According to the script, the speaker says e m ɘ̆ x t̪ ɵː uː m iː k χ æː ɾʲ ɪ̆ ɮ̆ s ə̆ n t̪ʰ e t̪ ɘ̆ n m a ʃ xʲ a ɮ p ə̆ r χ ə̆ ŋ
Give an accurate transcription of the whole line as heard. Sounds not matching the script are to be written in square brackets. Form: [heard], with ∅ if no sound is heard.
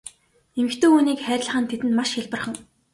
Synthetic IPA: e m ɘ̆ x t̪ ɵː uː [n] iː k χ æː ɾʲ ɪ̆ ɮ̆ [χ] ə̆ n t̪ʰ e t̪ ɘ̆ n m a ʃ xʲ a ɮ p ə̆ r χ ə̆ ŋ